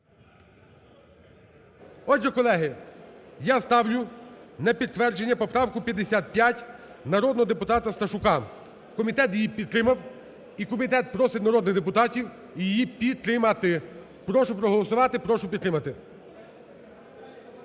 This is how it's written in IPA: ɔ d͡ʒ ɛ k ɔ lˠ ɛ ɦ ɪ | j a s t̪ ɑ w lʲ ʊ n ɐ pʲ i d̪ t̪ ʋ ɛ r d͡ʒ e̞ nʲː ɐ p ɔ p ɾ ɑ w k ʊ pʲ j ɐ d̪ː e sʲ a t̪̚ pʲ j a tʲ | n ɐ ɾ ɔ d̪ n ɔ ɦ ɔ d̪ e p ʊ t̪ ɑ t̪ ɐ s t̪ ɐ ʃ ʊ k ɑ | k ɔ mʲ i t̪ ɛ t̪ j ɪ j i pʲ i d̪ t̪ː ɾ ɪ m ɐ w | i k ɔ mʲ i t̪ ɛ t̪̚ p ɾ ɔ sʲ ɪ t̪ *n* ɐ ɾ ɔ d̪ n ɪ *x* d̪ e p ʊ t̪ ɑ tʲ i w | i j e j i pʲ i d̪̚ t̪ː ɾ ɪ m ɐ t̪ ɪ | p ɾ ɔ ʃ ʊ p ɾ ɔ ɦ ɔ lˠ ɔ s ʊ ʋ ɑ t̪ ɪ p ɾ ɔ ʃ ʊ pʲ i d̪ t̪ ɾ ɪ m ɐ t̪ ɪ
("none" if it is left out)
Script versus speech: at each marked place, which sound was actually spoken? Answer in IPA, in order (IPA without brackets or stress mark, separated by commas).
n, ɣ